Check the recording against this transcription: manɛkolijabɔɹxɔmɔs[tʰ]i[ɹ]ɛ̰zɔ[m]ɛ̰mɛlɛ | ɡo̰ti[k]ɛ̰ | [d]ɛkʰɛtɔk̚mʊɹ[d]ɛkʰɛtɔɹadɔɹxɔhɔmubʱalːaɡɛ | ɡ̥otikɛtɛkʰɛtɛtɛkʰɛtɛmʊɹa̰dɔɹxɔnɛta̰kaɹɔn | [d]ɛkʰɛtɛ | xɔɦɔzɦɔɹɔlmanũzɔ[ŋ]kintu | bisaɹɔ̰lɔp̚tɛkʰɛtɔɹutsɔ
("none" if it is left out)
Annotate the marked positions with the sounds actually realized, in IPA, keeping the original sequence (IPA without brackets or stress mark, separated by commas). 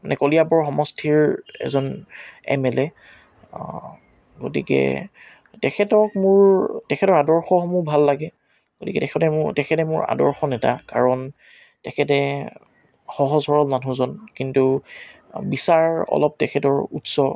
tʰ, ɹ, n, k, t, t, t, n